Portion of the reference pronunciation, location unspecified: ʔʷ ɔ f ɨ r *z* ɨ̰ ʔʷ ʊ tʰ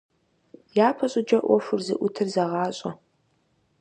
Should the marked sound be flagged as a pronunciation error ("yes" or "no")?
no